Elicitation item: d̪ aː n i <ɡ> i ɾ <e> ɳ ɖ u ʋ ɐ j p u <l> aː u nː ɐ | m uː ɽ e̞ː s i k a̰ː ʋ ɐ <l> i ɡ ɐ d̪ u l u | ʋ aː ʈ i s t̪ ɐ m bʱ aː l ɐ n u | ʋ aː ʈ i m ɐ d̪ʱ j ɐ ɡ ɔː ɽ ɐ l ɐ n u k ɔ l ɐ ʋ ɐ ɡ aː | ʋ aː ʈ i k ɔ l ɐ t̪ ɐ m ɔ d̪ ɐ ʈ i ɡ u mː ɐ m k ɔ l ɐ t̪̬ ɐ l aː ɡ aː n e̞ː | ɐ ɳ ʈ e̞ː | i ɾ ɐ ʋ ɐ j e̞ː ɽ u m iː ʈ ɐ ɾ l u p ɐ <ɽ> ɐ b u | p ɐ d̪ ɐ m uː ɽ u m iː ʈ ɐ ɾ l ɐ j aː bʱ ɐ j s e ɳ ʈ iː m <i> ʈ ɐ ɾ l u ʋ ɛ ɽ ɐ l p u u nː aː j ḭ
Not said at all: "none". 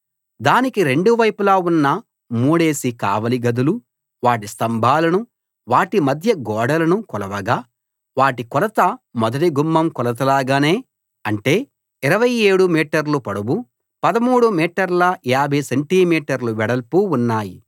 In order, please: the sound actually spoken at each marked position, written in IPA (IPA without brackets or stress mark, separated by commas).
k, e, l, l, ɽ, iː